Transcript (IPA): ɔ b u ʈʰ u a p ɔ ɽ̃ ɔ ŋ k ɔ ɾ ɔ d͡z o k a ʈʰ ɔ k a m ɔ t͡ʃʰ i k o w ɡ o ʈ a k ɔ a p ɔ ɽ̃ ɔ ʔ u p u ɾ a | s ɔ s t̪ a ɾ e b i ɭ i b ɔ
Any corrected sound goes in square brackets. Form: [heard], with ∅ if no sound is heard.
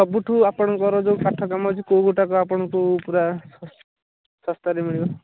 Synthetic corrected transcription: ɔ b u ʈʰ u a p ɔ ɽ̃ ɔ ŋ k ɔ ɾ ɔ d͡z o k a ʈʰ ɔ k a m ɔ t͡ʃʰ i k o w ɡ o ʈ a k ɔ a p ɔ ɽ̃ ɔ [k] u p u ɾ a | s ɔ s t̪ a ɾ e [m] i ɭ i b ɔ